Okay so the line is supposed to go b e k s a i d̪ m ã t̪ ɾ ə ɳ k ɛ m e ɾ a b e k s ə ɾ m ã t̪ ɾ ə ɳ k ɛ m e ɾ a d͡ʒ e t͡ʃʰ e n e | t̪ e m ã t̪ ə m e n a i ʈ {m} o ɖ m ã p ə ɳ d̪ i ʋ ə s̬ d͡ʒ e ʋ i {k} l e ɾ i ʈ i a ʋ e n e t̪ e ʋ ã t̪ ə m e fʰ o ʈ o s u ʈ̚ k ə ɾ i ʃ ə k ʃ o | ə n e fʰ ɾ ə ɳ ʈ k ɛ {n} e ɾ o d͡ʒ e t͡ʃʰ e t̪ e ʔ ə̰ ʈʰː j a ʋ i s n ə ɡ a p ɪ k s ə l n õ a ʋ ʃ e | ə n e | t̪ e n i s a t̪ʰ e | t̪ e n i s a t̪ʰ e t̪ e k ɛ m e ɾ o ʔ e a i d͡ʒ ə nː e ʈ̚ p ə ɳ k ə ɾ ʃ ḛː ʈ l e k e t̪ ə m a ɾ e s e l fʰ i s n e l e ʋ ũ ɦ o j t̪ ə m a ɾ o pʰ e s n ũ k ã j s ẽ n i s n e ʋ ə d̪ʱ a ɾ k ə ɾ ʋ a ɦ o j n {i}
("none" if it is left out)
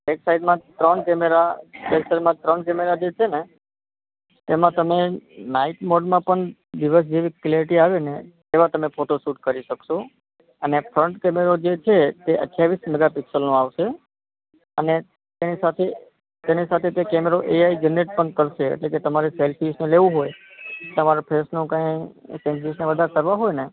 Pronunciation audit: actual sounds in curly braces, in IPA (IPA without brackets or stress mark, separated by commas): m, k, m, e